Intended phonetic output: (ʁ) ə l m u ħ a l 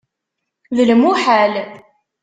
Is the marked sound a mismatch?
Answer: yes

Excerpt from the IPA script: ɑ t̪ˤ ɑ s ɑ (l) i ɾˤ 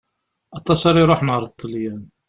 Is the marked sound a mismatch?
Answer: yes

